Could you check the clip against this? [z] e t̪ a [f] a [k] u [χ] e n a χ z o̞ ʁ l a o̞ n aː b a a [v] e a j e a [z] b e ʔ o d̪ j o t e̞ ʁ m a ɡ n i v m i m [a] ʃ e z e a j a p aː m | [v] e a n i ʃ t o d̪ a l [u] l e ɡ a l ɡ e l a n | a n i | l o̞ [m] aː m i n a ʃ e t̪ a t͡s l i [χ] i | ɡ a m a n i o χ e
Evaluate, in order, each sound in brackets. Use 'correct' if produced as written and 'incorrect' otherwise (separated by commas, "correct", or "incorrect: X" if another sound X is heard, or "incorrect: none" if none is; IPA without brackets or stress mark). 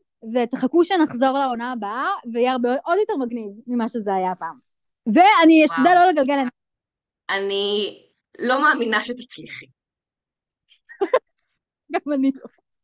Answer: incorrect: v, incorrect: χ, correct, incorrect: ʃ, correct, incorrect: ʁ, correct, correct, incorrect: o, correct, correct